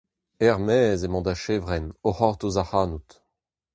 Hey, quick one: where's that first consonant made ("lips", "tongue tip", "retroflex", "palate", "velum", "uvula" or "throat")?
uvula